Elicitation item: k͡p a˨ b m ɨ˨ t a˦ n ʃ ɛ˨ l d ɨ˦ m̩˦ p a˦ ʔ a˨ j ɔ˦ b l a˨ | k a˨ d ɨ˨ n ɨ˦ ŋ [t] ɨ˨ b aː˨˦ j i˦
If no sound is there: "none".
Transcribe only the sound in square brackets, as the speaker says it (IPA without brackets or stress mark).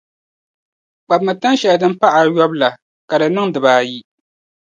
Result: d